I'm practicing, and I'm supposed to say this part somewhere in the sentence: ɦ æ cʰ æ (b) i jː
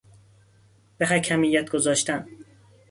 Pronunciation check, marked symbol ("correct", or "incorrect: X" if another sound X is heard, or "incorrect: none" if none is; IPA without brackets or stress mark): incorrect: m